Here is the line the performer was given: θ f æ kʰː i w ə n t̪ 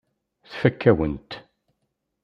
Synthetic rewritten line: θ f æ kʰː æ w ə n t̪